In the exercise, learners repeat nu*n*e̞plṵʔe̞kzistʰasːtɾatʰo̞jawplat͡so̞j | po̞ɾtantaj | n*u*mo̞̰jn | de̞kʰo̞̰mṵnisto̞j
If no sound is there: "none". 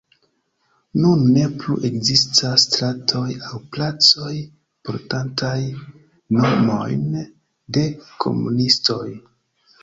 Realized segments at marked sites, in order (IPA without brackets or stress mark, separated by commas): nː, o